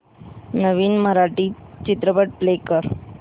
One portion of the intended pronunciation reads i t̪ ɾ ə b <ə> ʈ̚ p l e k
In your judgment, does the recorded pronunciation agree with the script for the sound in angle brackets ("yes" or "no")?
yes